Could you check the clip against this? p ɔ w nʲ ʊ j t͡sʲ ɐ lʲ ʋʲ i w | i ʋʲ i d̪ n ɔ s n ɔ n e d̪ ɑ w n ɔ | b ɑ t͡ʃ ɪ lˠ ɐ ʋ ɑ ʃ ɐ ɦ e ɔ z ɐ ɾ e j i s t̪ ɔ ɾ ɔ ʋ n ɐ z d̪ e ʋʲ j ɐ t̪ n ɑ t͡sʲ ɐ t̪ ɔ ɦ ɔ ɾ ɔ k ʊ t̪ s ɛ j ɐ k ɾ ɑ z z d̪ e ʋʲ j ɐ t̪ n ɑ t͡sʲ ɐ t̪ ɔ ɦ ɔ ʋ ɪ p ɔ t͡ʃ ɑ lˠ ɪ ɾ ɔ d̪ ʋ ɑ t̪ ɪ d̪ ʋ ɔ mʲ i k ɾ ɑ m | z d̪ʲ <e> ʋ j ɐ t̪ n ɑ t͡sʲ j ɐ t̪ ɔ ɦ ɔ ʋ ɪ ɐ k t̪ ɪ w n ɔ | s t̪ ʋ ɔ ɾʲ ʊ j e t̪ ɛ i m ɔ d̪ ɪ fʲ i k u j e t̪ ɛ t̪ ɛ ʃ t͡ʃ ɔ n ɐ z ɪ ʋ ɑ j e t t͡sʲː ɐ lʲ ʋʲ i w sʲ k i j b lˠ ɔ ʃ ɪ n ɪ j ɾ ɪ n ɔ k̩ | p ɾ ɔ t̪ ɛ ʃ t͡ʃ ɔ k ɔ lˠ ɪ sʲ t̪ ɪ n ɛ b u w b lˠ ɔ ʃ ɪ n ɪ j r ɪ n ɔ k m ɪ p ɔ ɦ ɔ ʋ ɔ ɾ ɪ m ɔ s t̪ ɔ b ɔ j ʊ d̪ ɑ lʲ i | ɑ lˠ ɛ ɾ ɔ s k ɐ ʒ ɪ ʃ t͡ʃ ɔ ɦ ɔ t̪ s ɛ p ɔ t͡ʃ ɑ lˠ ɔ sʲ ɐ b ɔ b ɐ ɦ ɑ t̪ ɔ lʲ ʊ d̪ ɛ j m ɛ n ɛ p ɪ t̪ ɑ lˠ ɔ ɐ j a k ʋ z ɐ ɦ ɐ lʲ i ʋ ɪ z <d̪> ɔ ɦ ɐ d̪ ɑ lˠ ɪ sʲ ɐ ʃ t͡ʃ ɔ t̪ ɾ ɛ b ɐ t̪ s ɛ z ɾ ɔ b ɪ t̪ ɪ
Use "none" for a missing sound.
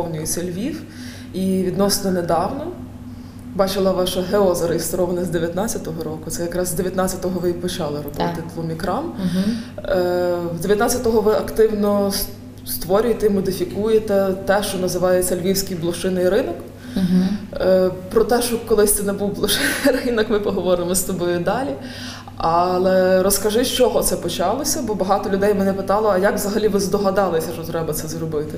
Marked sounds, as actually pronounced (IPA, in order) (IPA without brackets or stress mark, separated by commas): e, d̪